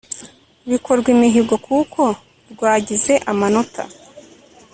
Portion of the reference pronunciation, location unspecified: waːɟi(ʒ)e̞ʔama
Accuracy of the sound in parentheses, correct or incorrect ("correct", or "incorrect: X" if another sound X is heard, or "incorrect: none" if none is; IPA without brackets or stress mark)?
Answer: incorrect: z